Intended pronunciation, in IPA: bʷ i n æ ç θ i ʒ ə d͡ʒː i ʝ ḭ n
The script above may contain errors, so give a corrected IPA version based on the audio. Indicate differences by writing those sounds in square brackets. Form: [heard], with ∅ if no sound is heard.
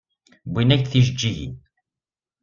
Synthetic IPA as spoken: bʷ i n æ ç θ i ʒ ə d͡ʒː i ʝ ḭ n